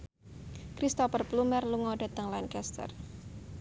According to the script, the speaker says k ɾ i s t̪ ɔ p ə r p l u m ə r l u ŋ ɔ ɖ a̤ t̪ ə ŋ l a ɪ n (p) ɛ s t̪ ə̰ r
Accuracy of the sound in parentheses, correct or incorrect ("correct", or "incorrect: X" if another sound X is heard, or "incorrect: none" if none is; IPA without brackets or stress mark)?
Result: incorrect: k